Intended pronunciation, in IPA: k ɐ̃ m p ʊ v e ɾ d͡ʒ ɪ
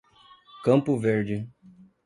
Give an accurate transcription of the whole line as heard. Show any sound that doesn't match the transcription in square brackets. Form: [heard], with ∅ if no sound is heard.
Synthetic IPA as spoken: k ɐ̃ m p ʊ v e ɾ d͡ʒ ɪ